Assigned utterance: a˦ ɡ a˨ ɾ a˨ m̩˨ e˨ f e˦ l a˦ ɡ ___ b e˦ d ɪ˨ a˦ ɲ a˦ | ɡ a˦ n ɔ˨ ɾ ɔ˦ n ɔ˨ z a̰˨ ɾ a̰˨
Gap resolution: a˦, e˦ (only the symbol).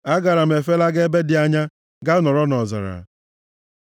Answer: e˦